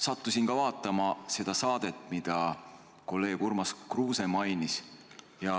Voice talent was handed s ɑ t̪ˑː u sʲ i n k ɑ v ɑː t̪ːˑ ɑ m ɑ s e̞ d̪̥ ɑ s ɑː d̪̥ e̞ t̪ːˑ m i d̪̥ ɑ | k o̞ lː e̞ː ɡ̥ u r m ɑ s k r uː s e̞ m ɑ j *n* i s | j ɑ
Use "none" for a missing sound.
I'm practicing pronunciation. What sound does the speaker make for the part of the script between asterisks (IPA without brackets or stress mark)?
n